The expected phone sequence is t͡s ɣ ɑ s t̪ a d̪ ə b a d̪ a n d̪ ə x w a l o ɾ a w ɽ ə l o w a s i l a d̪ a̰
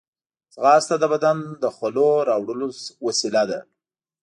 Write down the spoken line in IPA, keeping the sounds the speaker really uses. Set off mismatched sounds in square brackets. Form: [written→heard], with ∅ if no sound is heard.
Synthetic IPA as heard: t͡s ɣ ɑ s t̪ a d̪ ə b a d̪ a n d̪ ə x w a l o ɾ [a→ɑ] w ɽ ə l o w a s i l a d̪ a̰